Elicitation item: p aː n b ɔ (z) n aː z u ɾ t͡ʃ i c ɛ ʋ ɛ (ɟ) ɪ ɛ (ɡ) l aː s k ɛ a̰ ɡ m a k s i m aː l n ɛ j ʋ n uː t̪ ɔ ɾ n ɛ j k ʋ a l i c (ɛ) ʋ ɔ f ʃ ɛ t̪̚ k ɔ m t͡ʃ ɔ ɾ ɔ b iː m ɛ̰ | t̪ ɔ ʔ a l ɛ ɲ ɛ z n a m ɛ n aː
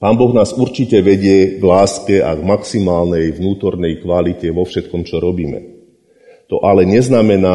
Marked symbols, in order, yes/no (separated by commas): no, yes, yes, yes